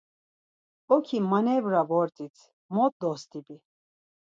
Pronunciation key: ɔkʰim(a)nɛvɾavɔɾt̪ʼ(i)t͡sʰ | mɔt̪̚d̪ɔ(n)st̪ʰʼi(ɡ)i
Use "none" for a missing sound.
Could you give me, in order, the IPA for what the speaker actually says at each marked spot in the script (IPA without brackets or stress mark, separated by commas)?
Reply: a, i, none, b